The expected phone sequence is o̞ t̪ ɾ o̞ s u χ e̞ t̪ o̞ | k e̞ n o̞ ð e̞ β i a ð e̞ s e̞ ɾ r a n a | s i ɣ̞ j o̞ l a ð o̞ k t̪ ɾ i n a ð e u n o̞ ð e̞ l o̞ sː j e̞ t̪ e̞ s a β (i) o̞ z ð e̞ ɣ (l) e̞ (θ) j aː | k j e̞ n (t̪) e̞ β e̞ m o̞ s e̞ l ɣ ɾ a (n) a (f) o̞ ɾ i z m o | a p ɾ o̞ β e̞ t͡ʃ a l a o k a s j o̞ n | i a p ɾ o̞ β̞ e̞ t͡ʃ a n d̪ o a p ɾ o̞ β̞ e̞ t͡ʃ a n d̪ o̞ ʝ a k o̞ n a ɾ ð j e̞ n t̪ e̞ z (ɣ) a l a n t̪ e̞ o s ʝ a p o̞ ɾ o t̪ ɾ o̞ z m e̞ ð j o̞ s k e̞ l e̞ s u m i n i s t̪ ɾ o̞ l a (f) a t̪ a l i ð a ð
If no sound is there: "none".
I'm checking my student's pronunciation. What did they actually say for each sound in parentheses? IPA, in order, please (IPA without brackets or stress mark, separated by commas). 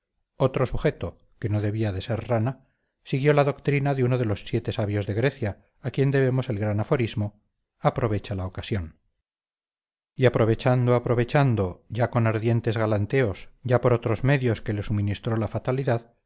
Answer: j, ɾ, θ, d̪, n, f, ɣ, f